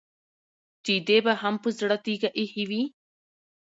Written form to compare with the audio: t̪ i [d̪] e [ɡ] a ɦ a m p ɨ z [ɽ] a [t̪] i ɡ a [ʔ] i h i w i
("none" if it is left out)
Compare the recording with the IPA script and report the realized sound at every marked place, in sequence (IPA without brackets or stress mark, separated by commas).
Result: d̪, b, ɽ, t̪, ʔ